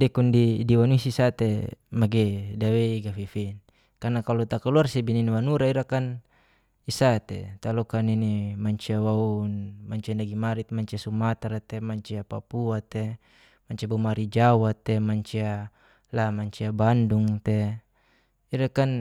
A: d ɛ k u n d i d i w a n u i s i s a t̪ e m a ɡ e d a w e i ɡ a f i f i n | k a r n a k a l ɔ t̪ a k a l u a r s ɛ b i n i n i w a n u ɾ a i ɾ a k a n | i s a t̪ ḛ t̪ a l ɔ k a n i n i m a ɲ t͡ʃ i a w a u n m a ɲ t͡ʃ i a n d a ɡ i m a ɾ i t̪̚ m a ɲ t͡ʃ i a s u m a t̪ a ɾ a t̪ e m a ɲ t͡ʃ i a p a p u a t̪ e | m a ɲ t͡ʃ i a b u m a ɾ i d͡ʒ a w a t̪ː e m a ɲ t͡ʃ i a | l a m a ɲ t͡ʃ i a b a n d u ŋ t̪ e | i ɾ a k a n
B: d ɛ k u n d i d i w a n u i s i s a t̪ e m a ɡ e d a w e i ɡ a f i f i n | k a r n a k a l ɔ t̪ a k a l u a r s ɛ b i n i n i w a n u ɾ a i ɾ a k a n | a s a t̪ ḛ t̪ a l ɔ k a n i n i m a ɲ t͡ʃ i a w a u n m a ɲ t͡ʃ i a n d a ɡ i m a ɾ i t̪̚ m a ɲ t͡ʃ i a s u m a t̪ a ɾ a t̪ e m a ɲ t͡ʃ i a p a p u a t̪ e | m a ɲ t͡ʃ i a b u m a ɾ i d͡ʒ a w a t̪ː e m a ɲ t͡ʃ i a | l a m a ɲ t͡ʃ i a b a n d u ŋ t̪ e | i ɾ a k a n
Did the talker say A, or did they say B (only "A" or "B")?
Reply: A